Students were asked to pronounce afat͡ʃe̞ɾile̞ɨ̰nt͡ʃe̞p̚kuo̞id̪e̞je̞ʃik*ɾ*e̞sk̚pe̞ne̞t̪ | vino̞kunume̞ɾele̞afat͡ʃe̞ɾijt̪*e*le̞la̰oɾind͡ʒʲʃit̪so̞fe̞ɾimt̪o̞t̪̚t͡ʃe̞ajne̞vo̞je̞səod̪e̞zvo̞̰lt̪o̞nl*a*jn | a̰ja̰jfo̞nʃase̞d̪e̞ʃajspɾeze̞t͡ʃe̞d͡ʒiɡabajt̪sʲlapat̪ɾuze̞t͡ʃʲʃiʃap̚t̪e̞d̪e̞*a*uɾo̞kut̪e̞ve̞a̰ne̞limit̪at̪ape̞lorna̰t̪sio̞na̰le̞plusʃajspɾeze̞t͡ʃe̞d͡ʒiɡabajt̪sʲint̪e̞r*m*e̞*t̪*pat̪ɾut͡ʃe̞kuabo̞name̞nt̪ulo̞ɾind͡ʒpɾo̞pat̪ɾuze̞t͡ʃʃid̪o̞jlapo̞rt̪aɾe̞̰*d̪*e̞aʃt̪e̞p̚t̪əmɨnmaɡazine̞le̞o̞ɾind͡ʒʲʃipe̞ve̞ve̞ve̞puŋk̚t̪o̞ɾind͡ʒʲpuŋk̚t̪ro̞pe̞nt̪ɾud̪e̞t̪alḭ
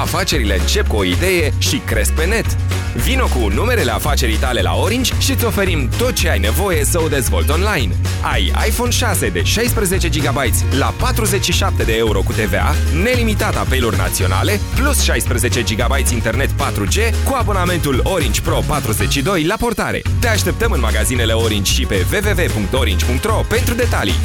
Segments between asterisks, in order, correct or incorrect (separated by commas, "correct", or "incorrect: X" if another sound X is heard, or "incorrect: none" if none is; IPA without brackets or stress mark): correct, incorrect: a, correct, incorrect: e, incorrect: n, correct, incorrect: t̪